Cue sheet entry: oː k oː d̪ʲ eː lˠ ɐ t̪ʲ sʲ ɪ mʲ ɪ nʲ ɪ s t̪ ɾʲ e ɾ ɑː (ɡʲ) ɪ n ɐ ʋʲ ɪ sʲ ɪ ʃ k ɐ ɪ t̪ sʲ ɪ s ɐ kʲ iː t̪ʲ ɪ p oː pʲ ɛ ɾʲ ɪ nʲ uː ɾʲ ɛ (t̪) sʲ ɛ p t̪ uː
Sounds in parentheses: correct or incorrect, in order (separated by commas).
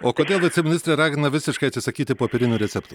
correct, correct